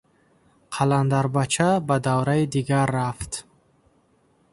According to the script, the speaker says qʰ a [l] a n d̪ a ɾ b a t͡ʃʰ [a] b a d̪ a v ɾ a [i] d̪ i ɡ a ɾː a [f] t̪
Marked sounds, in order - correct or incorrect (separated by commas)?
correct, correct, correct, correct